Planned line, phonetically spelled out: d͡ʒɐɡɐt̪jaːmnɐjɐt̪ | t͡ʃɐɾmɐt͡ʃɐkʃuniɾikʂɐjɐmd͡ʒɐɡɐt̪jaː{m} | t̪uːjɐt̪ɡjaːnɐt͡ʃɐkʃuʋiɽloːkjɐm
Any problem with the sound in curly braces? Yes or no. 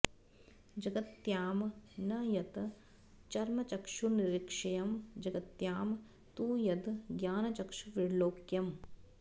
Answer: no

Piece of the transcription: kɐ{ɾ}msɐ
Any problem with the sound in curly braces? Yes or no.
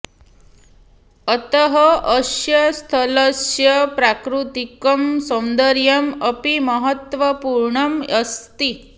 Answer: yes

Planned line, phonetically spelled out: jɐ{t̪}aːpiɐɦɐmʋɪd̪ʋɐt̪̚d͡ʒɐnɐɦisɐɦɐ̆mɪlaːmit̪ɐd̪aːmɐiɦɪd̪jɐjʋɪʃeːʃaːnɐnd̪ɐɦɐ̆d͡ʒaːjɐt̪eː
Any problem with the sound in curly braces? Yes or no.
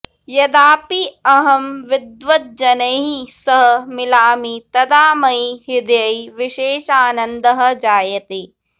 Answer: yes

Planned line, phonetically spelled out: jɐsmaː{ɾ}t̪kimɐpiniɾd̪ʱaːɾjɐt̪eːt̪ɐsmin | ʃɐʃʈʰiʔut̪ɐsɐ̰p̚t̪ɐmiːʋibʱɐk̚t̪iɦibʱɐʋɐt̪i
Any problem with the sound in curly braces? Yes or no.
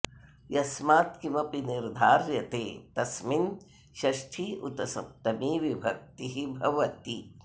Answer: yes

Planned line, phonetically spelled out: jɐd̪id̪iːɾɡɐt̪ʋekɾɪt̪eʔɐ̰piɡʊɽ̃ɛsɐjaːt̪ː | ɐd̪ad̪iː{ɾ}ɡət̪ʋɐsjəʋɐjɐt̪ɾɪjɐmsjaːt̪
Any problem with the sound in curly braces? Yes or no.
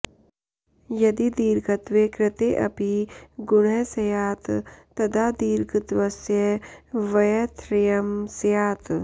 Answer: no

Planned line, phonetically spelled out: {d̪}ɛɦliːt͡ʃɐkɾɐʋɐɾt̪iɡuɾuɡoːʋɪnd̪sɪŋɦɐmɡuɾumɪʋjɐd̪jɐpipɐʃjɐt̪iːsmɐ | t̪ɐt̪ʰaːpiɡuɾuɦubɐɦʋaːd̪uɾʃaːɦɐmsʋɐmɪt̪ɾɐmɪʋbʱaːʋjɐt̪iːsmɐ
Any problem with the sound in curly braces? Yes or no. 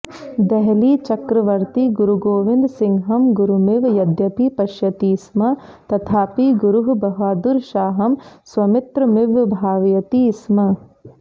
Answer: no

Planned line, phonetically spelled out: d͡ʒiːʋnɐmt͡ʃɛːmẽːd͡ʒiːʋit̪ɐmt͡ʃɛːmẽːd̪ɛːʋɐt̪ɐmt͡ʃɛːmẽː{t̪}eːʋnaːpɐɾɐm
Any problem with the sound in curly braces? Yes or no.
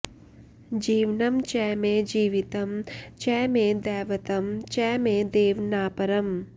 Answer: yes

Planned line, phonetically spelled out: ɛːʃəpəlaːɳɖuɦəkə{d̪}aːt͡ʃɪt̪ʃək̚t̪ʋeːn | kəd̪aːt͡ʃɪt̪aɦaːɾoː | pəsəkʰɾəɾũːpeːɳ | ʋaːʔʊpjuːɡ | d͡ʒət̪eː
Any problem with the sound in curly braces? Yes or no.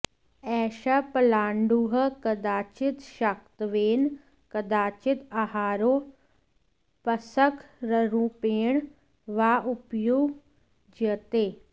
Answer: no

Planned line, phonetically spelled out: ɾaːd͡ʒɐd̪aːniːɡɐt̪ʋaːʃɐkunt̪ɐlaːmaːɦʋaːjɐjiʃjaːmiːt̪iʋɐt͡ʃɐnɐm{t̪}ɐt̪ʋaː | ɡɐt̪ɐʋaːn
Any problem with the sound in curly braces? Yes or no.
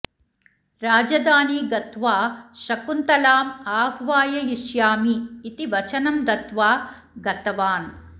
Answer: yes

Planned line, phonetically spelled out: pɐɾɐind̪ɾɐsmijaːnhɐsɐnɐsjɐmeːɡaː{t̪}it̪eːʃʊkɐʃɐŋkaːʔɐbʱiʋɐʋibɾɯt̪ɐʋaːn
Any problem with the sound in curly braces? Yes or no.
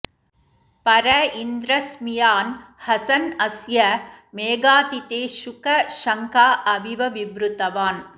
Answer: no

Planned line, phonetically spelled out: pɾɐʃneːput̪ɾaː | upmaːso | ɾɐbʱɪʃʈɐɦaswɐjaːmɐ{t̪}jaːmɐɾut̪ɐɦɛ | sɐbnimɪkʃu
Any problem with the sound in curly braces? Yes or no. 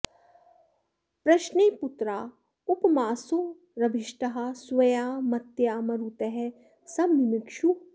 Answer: no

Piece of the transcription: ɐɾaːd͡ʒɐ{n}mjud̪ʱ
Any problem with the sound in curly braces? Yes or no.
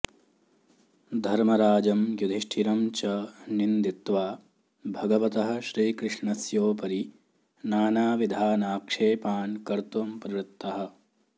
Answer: yes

